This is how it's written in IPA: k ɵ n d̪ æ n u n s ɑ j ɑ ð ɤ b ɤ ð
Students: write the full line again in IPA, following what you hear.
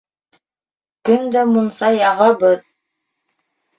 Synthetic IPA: k ɵ n d̪ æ m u n s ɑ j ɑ ʁ ɤ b ɤ ð